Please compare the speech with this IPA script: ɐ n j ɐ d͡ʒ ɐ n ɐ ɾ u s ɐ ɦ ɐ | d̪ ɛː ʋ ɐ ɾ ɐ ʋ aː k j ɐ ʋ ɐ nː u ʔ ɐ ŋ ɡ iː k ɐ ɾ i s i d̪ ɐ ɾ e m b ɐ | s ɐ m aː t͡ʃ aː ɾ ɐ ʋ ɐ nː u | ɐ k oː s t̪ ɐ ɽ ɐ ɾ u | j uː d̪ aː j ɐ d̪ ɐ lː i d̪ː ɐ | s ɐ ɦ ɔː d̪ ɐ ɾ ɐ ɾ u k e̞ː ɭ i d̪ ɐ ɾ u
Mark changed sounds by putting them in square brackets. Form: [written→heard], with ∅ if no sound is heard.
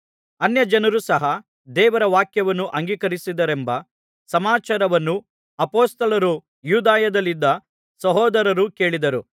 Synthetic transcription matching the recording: ɐ n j ɐ d͡ʒ ɐ n ɐ ɾ u s ɐ ɦ ɐ | d̪ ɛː ʋ ɐ ɾ ɐ ʋ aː k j ɐ ʋ ɐ nː u ʔ ɐ ŋ ɡ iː k ɐ ɾ i s i d̪ ɐ ɾ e m b ɐ | s ɐ m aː t͡ʃ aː ɾ ɐ ʋ ɐ nː u | ɐ [k→p] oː s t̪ ɐ [ɽ→l] ɐ ɾ u | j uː d̪ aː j ɐ d̪ ɐ lː i d̪ː ɐ | s ɐ ɦ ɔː d̪ ɐ ɾ ɐ ɾ u k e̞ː ɭ i d̪ ɐ ɾ u

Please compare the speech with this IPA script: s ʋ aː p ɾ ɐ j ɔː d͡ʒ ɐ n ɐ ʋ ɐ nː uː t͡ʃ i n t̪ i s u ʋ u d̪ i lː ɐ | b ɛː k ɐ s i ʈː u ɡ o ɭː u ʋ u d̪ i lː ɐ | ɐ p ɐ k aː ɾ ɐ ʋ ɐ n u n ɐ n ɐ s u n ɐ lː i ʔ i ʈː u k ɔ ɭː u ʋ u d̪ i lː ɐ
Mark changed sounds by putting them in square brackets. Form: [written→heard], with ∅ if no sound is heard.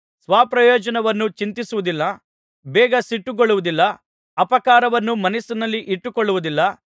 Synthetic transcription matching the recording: s ʋ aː p ɾ ɐ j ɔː d͡ʒ ɐ n ɐ ʋ ɐ nː [uː→u] t͡ʃ i n t̪ i s u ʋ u d̪ i lː ɐ | b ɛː [k→ɡ] ɐ s i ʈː u ɡ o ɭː u ʋ u d̪ i lː ɐ | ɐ p ɐ k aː ɾ ɐ ʋ ɐ [n→nː] u [n→m] ɐ n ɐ s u n ɐ lː i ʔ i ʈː u k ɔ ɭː u ʋ u d̪ i lː ɐ

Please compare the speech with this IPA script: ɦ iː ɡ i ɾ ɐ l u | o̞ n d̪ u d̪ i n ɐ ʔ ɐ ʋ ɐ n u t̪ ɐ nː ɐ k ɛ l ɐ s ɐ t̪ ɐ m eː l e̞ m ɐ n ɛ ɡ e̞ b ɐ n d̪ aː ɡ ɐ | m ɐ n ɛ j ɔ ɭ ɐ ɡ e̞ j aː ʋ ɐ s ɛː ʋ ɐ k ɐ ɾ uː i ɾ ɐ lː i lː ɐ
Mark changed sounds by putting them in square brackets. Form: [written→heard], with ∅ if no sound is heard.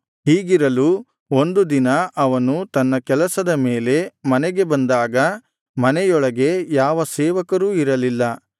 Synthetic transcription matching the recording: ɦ iː ɡ i ɾ ɐ l u | o̞ n d̪ u d̪ i n ɐ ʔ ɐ ʋ ɐ n u t̪ ɐ nː ɐ k ɛ l ɐ s ɐ [t̪→d̪] ɐ m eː l e̞ m ɐ n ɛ ɡ e̞ b ɐ n d̪ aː ɡ ɐ | m ɐ n ɛ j ɔ ɭ ɐ ɡ e̞ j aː ʋ ɐ s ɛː ʋ ɐ k ɐ ɾ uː i ɾ ɐ [lː→l] i lː ɐ

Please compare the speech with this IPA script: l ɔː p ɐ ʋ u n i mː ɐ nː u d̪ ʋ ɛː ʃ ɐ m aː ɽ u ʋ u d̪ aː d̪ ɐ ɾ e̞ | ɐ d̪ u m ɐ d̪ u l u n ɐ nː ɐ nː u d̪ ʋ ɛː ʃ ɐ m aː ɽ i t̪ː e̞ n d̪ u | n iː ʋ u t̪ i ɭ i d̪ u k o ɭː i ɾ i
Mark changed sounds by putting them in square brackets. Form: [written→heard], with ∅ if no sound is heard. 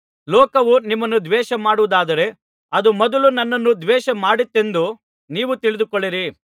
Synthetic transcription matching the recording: l ɔː [p→k] ɐ ʋ u n i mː ɐ nː u d̪ ʋ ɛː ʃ ɐ m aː ɽ u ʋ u d̪ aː d̪ ɐ ɾ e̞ | ɐ d̪ u m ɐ d̪ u l u n ɐ nː ɐ nː u d̪ ʋ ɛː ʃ ɐ m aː ɽ i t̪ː e̞ n d̪ u | n iː ʋ u t̪ i ɭ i d̪ u k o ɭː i ɾ i

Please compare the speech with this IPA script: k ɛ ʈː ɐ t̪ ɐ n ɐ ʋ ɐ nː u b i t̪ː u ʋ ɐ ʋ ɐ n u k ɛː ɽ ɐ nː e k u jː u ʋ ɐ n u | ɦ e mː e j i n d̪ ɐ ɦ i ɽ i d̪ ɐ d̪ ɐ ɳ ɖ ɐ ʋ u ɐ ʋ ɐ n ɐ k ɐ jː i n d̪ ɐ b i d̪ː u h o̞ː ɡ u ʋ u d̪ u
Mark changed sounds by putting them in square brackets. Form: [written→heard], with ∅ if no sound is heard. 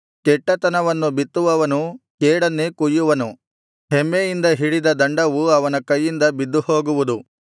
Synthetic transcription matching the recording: k ɛ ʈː ɐ t̪ ɐ n ɐ ʋ ɐ nː u b i t̪ː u ʋ ɐ ʋ ɐ n u k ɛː ɽ ɐ nː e k u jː u ʋ ɐ n u | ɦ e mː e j i n d̪ ɐ ɦ i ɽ i d̪ ɐ d̪ ɐ ɳ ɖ ɐ ʋ u ɐ ʋ ɐ n ɐ k ɐ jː i n d̪ ɐ b i d̪ː u h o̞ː ɡ u ʋ u d̪ u

